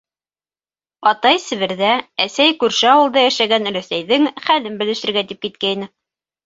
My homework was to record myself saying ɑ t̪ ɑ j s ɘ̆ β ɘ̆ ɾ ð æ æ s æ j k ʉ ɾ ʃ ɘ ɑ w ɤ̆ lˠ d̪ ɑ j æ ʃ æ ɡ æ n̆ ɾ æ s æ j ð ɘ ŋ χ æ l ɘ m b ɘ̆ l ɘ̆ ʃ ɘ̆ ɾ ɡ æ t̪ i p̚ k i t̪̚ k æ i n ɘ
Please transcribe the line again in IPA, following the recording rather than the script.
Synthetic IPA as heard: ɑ t̪ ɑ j s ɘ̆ β ɘ̆ ɾ ð æ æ s æ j k ʉ ɾ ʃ ɘ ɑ w ɤ̆ lˠ d̪ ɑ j æ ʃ æ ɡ æ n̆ ɾ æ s æ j ð ɘ ŋ χ æ l ɘ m b ɘ̆ l ɘ̆ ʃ ɘ̆ ɾ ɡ æ t̪ i p̚ k i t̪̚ k æ i n ɘ